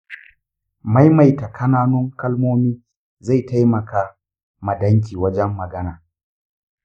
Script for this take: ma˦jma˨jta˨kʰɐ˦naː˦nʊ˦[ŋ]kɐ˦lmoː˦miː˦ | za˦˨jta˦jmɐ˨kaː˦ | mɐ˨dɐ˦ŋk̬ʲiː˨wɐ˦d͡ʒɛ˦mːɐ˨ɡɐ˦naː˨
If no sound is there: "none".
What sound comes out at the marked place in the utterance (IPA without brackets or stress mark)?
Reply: ŋ